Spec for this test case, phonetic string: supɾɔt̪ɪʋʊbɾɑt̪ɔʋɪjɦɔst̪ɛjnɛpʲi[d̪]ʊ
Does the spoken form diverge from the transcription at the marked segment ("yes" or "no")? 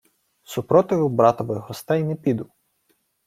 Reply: no